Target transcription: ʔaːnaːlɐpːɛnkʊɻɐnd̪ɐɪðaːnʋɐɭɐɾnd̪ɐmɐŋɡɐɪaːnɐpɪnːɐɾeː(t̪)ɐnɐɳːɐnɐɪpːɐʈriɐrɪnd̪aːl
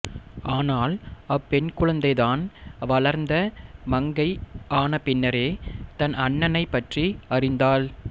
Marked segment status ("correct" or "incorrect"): correct